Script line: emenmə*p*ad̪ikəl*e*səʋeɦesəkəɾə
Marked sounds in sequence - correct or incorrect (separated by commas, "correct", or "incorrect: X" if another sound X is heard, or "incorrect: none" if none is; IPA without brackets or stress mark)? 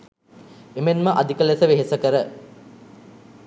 incorrect: ʔ, correct